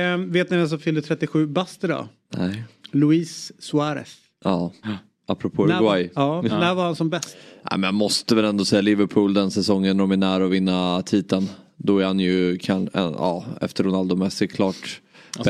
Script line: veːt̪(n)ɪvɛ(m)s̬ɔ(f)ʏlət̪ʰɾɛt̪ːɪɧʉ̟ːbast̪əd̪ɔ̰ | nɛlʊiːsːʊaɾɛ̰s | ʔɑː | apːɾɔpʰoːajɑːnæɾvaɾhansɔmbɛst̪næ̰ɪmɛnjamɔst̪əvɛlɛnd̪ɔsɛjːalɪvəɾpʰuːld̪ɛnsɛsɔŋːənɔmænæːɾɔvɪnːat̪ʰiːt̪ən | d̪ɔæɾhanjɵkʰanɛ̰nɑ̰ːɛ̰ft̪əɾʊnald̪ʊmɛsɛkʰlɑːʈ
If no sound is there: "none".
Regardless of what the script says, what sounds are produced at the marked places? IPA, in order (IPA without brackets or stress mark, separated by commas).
n, n, f